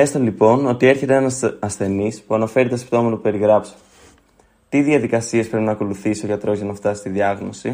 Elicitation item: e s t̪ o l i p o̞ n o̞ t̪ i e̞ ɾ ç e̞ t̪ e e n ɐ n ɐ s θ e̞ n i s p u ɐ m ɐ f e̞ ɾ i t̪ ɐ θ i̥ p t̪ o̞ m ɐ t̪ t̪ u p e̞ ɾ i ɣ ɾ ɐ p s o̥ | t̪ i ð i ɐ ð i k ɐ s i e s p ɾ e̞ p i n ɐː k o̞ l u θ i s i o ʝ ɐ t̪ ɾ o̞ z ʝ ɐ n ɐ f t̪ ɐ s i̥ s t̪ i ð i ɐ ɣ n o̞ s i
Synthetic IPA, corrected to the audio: e s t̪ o l i p o̞ n o̞ t̪ i e̞ ɾ ç e̞ t̪ e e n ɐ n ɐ s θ e̞ n i s p u ɐ n ɐ f e̞ ɾ i t̪ ɐ s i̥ p t̪ o̞ m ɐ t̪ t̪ u p e̞ ɾ i ɣ ɾ ɐ p s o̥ | t̪ i ð i ɐ ð i k ɐ s i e s p ɾ e̞ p i n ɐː k o̞ l u θ i s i o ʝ ɐ t̪ ɾ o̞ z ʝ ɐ n ɐ f t̪ ɐ s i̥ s t̪ i ð i ɐ ɣ n o̞ s i